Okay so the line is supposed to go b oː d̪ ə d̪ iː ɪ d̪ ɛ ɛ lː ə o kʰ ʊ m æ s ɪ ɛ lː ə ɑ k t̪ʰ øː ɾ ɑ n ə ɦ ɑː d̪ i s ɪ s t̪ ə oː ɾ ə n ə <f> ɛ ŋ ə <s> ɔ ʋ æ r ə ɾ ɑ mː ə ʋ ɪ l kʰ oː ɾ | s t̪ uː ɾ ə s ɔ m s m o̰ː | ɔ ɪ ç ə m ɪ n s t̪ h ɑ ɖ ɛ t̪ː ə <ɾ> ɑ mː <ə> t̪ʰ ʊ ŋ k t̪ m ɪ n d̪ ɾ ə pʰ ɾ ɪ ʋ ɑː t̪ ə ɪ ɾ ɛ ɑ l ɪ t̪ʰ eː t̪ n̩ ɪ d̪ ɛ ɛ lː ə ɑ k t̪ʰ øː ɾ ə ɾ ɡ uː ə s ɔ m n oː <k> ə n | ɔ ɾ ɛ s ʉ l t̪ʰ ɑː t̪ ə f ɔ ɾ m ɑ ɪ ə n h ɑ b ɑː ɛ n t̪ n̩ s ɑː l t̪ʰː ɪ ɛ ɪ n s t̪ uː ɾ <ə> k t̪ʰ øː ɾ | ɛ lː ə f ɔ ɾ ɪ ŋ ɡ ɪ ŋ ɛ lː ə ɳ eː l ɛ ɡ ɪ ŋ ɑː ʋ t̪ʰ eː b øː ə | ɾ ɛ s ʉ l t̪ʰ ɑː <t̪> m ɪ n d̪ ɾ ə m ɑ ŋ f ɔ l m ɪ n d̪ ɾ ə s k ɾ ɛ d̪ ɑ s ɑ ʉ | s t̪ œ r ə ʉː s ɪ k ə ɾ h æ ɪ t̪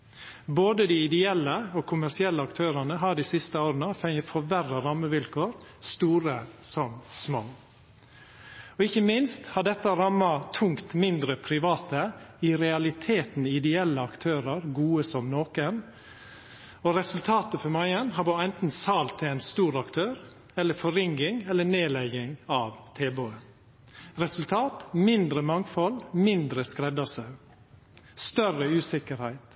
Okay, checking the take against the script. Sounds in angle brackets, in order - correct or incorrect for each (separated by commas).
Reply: correct, incorrect, correct, incorrect, correct, incorrect, correct